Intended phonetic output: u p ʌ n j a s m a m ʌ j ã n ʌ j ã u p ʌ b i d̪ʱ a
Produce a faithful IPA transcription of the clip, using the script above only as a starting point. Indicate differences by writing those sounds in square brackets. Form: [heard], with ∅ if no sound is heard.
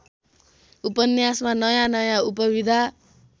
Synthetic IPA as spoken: u p ʌ n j a s m a [n] ʌ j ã n ʌ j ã u p ʌ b i d̪ʱ a

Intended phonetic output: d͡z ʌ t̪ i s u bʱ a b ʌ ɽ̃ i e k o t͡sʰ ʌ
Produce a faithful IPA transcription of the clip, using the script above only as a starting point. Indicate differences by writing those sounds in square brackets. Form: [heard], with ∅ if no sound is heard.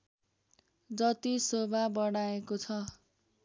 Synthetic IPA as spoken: d͡z ʌ t̪ i s [o] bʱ a b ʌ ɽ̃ [a] e k o t͡sʰ ʌ

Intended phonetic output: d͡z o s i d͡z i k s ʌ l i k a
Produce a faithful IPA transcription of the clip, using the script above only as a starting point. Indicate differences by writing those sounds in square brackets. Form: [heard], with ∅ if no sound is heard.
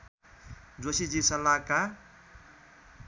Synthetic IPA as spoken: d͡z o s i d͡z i [∅] s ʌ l [a] k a

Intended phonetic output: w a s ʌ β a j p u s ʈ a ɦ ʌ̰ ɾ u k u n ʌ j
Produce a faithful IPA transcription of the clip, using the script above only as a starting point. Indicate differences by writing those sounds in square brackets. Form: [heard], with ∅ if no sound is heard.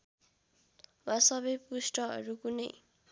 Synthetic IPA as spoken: w a s ʌ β [ʌ] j p u s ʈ [ʌ] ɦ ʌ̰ ɾ u k u n ʌ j

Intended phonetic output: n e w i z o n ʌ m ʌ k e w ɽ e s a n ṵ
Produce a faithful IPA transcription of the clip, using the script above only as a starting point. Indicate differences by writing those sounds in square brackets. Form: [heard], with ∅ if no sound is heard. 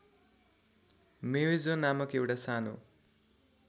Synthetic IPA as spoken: [m] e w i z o n [a] m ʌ k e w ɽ [a] s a n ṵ

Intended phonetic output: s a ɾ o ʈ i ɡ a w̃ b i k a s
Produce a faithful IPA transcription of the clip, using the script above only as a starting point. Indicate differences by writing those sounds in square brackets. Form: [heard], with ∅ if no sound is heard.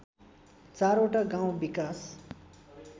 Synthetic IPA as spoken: [t͡s] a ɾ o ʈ [a] ɡ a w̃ b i k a s

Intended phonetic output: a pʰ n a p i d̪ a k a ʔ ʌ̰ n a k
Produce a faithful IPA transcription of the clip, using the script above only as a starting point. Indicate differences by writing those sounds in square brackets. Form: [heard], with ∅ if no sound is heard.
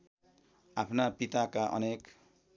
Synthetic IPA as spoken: a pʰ n a p i [t̪] a k a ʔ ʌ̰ n [e] k

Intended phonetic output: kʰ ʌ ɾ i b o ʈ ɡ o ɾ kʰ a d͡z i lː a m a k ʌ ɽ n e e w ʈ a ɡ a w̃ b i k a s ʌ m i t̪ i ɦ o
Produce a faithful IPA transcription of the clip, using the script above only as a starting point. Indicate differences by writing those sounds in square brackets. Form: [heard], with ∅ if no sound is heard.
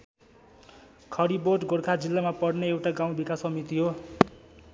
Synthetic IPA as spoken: kʰ ʌ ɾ i b o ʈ ɡ o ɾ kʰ a d͡z i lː a m a [p] ʌ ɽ n e e w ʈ a ɡ a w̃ b i k a s ʌ m i t̪ i ɦ o

